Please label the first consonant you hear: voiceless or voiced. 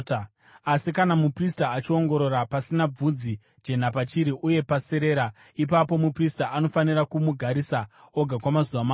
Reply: voiceless